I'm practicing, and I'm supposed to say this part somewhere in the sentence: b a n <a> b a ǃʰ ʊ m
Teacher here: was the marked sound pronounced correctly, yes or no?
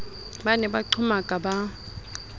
no